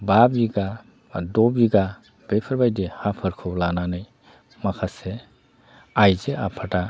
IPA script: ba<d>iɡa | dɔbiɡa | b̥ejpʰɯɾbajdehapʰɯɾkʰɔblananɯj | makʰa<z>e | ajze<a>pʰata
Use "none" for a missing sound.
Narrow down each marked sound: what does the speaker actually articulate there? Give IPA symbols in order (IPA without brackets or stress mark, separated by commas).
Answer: b, s, a